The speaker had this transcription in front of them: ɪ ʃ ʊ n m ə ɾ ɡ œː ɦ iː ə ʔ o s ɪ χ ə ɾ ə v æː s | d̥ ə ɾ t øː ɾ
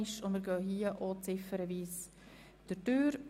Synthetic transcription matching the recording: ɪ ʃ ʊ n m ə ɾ ɡ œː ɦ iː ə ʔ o t͡s ɪ f ə ɾ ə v iː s | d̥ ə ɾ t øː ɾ